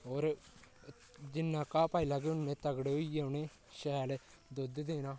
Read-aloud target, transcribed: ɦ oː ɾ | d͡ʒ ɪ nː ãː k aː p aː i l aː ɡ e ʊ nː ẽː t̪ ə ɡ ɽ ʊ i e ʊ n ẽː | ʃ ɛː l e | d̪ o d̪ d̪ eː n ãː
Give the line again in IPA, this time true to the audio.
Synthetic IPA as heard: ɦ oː ɾ | d͡ʒ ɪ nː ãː k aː p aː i l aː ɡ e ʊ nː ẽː t̪ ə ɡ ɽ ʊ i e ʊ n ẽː | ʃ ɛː l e | d̪ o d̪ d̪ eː n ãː